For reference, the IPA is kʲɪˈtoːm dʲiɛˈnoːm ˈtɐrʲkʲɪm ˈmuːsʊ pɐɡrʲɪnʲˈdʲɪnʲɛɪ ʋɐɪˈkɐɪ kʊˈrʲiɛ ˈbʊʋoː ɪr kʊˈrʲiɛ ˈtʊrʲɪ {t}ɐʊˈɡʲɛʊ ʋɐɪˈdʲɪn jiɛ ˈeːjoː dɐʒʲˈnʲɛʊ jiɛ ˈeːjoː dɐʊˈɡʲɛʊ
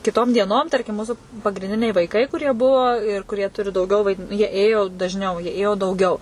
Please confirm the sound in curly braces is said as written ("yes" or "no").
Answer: no